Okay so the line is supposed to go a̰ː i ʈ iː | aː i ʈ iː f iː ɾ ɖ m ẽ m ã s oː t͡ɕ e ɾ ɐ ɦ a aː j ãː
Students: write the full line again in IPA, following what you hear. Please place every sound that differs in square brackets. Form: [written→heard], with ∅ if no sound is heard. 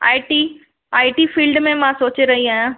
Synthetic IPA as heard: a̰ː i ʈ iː | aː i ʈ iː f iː [ɾ→l] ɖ m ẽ m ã s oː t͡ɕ e ɾ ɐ ɦ [a→i] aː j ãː

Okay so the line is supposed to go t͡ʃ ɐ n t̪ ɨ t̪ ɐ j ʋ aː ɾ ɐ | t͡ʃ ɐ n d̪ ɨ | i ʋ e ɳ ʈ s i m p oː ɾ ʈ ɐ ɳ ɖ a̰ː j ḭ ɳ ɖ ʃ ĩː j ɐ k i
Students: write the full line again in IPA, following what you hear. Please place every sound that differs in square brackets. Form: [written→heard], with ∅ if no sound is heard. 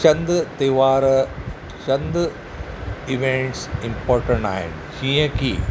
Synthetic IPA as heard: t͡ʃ ɐ n [t̪→d̪] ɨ t̪ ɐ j ʋ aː ɾ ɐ | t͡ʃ ɐ n d̪ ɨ | i ʋ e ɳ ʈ s i m p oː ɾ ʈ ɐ ɳ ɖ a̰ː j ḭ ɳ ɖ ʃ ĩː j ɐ k i

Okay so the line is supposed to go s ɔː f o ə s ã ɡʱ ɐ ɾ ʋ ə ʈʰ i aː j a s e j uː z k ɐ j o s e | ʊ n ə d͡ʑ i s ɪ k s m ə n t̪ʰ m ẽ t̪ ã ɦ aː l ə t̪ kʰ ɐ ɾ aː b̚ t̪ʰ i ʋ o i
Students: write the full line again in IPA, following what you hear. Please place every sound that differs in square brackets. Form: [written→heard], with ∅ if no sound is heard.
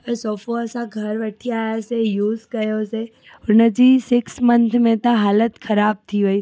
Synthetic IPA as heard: s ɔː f o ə s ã ɡʱ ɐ ɾ ʋ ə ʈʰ i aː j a s e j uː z k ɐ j o s e | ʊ n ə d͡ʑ i s ɪ k s m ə n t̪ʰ m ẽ t̪ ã ɦ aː l ə t̪ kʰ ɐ ɾ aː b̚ t̪ʰ i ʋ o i

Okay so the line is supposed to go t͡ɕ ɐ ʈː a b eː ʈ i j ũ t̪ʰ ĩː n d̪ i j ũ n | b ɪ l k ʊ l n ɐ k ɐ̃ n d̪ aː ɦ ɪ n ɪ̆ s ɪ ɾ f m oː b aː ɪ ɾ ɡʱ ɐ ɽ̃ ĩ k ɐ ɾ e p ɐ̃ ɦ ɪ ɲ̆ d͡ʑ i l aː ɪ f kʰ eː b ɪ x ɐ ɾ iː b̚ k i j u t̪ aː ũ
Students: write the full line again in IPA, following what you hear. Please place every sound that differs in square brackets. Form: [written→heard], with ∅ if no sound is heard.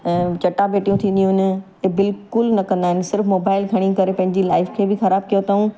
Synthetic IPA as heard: t͡ɕ ɐ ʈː a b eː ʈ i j ũ t̪ʰ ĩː n d̪ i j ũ n | b ɪ l k ʊ l n ɐ k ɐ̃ n d̪ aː ɦ ɪ n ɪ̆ s ɪ ɾ f m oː b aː ɪ [ɾ→l] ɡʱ ɐ ɽ̃ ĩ k ɐ ɾ e p ɐ̃ ɦ ɪ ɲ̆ d͡ʑ i l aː ɪ f kʰ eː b ɪ x ɐ ɾ [iː→aː] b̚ k i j [u→o] t̪ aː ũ

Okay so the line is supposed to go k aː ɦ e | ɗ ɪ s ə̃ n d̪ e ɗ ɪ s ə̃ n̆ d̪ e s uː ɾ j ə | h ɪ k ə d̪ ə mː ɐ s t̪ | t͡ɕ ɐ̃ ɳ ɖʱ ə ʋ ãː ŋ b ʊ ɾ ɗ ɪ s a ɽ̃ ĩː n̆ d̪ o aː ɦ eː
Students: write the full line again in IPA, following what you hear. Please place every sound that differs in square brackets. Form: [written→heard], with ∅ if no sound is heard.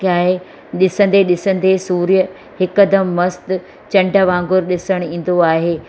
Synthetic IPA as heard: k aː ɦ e | ɗ ɪ s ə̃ n d̪ e ɗ ɪ s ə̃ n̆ d̪ e s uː ɾ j ə | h ɪ k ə d̪ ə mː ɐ s t̪ | t͡ɕ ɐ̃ ɳ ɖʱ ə ʋ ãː ŋ [b→ɡ] ʊ ɾ ɗ ɪ s [a→ə] ɽ̃ ĩː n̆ d̪ o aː ɦ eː

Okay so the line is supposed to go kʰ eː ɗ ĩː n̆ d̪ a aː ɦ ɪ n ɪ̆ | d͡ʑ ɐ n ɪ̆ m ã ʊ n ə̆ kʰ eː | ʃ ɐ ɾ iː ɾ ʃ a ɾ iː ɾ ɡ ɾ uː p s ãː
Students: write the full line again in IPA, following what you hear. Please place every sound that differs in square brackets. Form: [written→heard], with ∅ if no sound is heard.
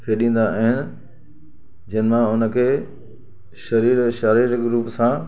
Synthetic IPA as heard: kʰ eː ɗ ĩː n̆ d̪ a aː ɦ ɪ n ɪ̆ | d͡ʑ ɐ n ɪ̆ m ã ʊ n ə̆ kʰ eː | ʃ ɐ ɾ iː ɾ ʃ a ɾ iː ɾ ɡ ɾ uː p s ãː

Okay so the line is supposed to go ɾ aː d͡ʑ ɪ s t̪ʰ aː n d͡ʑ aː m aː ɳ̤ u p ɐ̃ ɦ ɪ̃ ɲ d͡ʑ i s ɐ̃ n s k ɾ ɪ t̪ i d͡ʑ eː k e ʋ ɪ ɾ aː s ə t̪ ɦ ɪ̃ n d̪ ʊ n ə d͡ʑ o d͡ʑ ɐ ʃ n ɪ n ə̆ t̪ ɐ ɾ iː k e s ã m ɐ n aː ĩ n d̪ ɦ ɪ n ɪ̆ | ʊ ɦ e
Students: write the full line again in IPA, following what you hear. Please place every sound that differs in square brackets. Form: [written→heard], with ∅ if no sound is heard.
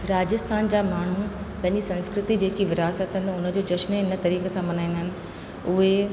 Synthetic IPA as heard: ɾ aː d͡ʑ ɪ s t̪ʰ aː n d͡ʑ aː m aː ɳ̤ u p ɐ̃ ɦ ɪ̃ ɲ d͡ʑ i s ɐ̃ n s k ɾ ɪ t̪ i d͡ʑ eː k [e→i] ʋ ɪ ɾ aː s ə t̪ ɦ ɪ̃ n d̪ ʊ n ə d͡ʑ o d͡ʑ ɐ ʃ n ɪ n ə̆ t̪ ɐ ɾ iː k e s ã m ɐ n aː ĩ n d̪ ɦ ɪ n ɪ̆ | ʊ ɦ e

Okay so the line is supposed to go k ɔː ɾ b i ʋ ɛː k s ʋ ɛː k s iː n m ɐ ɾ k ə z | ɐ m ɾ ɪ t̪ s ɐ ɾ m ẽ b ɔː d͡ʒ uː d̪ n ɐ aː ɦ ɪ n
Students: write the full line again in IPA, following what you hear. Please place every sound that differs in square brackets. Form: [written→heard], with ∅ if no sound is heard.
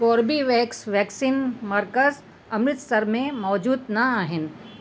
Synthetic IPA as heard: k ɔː ɾ b i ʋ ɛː k s ʋ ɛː k s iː n m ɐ ɾ k ə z | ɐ m ɾ ɪ t̪ s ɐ ɾ m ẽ [b→m] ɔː d͡ʒ uː d̪ n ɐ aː ɦ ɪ n

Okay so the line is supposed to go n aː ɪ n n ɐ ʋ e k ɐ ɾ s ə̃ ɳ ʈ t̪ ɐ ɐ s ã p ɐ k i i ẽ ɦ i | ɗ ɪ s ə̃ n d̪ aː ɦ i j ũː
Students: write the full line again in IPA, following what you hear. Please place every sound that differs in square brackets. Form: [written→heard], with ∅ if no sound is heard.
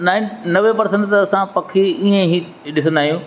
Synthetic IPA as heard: n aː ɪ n n ɐ ʋ e [k→p] ɐ ɾ s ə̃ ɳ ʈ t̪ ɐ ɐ s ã p ɐ [k→kʰ] i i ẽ ɦ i | ɗ ɪ s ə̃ n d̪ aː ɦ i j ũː

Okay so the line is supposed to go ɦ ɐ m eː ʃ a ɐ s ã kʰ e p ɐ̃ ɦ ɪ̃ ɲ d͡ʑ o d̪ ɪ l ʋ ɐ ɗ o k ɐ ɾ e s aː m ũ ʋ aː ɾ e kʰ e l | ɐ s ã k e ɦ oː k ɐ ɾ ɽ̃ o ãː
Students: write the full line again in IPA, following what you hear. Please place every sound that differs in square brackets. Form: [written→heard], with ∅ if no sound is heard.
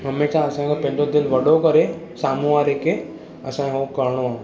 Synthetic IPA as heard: ɦ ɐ m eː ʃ a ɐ s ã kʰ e p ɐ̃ ɦ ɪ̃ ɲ d͡ʑ o d̪ ɪ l ʋ ɐ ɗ o k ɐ ɾ e s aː m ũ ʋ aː ɾ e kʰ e [l→∅] | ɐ s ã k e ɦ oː k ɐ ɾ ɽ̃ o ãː

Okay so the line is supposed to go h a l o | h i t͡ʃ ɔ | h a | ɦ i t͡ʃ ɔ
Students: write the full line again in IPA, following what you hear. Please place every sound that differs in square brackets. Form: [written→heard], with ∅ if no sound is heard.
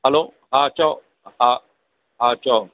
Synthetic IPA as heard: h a l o | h [i→a] t͡ʃ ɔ | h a | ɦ [i→a] t͡ʃ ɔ

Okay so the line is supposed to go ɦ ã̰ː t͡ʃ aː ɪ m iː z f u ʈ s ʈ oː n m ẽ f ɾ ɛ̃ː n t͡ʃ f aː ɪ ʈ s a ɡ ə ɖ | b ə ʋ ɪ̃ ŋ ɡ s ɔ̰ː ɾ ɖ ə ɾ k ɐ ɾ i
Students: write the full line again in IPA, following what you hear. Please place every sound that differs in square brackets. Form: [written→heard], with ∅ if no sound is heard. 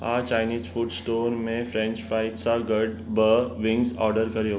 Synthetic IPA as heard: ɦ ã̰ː t͡ʃ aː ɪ [m→n] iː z f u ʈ s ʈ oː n m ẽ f ɾ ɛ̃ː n t͡ʃ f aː ɪ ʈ s a ɡ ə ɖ | b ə ʋ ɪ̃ ŋ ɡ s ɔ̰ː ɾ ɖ ə ɾ k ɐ ɾ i

